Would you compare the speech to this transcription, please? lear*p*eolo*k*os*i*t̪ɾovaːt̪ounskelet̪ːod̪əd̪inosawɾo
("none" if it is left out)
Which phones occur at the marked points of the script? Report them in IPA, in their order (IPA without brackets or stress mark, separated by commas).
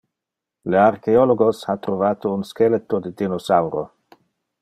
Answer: k, ɡ, a